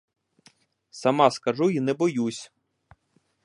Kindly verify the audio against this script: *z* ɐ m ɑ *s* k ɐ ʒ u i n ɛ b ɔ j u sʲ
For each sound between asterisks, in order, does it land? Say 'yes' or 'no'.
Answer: no, yes

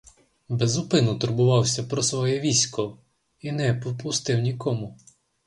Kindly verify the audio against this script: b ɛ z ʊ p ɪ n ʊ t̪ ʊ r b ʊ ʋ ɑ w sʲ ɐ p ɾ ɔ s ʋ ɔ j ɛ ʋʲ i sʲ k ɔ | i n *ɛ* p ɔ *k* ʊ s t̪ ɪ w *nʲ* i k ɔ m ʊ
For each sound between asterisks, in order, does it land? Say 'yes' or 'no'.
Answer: yes, no, yes

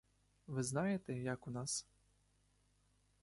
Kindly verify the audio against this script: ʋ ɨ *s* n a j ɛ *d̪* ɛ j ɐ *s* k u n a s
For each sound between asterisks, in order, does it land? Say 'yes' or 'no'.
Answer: no, no, no

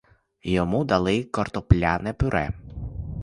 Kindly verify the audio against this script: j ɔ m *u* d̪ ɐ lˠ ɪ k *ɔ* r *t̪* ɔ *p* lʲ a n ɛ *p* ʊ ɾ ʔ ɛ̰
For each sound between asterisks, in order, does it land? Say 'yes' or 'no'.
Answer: yes, yes, yes, yes, yes

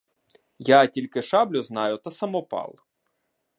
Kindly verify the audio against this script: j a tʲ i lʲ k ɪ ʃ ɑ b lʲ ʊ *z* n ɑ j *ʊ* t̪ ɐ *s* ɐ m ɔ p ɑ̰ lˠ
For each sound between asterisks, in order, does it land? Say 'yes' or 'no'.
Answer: yes, yes, yes

